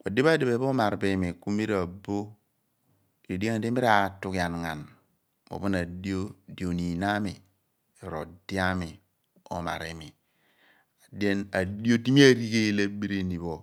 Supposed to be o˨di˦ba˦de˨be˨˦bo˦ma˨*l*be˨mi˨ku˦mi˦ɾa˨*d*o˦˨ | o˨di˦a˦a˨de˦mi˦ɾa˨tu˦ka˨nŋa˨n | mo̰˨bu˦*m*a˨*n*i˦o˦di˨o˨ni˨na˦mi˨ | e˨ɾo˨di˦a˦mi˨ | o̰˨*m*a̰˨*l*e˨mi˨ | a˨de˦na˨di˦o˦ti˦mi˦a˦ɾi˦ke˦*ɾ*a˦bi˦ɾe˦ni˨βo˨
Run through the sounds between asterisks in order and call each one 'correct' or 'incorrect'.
incorrect: ɾ, incorrect: b, incorrect: n, incorrect: d, correct, incorrect: ɾ, incorrect: l

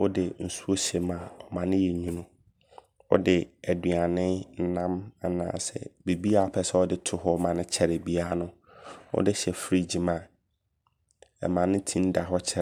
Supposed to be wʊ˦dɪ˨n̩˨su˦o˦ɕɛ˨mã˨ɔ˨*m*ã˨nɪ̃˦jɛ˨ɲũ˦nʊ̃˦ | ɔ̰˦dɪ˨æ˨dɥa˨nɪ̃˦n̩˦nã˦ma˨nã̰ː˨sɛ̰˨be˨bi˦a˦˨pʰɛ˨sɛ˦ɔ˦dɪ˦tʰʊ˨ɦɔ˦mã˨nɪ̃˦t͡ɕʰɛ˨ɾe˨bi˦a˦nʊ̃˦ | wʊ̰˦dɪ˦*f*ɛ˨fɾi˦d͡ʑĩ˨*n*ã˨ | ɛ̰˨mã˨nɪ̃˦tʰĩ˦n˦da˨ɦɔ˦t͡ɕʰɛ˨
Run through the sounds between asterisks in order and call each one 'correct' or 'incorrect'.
correct, incorrect: ɕ, incorrect: m

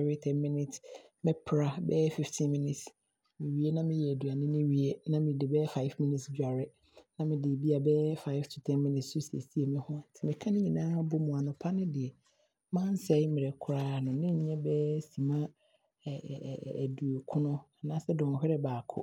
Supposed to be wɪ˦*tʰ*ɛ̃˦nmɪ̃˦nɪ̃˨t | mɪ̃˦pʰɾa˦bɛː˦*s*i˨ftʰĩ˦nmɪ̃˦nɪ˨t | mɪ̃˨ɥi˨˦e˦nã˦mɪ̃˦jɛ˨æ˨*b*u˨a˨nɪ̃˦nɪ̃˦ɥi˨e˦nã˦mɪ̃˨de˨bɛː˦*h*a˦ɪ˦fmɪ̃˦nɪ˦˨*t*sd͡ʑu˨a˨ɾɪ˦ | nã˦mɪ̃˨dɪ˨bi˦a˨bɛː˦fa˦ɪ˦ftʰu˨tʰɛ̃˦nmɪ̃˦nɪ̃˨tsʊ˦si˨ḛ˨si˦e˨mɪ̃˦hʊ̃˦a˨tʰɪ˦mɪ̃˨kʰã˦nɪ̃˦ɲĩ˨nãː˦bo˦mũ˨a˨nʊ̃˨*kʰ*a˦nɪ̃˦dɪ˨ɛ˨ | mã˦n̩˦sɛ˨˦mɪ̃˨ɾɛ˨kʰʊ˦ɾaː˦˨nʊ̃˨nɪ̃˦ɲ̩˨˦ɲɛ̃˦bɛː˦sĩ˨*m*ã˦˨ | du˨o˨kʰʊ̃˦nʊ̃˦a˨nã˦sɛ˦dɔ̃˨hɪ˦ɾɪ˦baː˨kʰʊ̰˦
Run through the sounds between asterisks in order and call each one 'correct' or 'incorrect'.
correct, incorrect: f, incorrect: d, incorrect: f, correct, incorrect: pʰ, correct

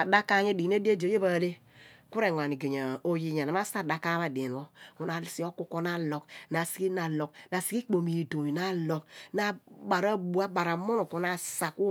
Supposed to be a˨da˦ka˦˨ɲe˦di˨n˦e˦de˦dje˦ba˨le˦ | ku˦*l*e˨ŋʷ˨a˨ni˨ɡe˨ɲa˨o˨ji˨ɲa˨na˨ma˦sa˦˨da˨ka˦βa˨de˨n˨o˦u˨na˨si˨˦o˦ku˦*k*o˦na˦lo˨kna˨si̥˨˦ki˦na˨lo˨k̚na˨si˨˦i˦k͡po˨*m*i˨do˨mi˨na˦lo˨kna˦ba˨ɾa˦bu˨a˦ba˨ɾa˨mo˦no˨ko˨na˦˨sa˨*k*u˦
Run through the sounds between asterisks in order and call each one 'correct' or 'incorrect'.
incorrect: ɾ, correct, correct, correct

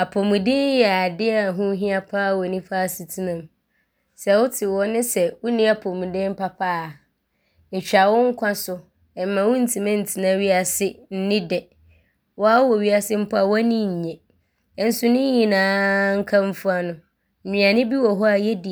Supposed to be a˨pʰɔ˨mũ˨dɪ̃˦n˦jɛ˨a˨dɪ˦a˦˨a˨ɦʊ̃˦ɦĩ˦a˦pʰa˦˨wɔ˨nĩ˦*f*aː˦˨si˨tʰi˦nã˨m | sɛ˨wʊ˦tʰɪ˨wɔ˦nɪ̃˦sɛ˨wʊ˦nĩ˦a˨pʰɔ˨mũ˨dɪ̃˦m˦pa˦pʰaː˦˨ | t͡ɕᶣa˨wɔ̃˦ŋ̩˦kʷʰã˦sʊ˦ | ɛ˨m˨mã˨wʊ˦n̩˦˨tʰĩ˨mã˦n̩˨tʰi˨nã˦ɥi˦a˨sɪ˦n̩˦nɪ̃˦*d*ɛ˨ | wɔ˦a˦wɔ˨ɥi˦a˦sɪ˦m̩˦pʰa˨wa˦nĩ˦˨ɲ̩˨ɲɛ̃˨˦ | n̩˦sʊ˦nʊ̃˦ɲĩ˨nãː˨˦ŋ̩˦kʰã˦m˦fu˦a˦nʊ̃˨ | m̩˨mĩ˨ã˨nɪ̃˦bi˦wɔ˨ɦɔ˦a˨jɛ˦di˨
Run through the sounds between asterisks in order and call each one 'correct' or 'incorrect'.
correct, correct

